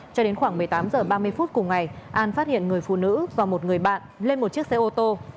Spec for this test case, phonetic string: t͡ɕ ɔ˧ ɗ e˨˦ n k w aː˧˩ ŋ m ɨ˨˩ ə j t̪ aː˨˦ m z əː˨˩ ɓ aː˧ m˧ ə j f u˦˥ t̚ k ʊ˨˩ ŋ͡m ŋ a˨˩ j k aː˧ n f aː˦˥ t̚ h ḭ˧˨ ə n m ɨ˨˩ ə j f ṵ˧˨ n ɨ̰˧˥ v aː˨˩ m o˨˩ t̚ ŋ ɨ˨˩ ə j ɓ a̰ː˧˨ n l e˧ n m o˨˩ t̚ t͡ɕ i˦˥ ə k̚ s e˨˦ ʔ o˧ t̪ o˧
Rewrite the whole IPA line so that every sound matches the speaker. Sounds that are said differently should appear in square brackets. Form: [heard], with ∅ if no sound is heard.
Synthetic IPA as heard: t͡ɕ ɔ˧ ɗ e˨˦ n [x] w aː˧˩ ŋ m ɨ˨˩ ə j t̪ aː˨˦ m z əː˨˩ ɓ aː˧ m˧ ə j f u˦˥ t̚ k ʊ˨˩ ŋ͡m ŋ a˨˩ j [ʔ] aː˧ n f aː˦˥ t̚ h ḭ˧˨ ə n [ŋ] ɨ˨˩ ə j f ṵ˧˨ n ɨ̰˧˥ v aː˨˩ m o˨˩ t̚ ŋ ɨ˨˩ ə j ɓ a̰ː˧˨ n l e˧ n m o˨˩ t̚ t͡ɕ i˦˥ ə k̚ s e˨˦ ʔ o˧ t̪ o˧